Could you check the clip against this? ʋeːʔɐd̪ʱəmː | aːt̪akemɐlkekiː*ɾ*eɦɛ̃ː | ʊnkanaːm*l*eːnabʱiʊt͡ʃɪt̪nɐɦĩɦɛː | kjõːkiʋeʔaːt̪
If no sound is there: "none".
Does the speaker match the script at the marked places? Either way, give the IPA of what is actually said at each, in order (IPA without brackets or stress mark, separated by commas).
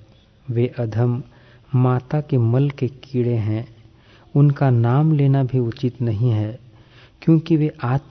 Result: ɽ, l